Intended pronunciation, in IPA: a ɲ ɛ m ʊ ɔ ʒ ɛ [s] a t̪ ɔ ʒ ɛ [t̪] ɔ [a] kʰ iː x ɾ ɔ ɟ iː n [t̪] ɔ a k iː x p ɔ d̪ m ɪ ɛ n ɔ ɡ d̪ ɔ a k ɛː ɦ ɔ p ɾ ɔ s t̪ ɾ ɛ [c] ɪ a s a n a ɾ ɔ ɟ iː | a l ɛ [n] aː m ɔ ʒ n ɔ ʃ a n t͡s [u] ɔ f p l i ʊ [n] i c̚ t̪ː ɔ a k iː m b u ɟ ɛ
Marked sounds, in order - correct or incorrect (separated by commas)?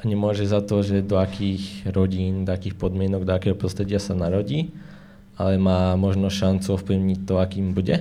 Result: incorrect, incorrect, correct, incorrect, incorrect, incorrect, correct, incorrect